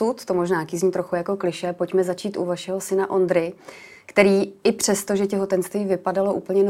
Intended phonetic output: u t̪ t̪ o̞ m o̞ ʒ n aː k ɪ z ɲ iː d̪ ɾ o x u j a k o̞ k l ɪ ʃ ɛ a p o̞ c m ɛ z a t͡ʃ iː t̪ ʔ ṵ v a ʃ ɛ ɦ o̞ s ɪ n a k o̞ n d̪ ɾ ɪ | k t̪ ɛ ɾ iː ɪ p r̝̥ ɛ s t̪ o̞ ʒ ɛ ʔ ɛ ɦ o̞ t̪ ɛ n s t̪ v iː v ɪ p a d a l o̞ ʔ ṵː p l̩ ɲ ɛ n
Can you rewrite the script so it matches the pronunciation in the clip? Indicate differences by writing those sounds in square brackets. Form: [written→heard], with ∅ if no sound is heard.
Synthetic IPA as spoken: u t̪ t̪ o̞ m o̞ ʒ n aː k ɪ z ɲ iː [d̪→t̪] ɾ o x u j a k o̞ k l ɪ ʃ ɛ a p o̞ c m ɛ z a t͡ʃ iː t̪ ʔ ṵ v a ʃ ɛ ɦ o̞ s ɪ n a [k→ʔ] o̞ n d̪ ɾ ɪ | k t̪ ɛ ɾ iː ɪ p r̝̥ ɛ s t̪ o̞ ʒ ɛ [ʔ→c] ɛ ɦ o̞ t̪ ɛ n s t̪ v iː v ɪ p a d a l o̞ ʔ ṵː p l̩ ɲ ɛ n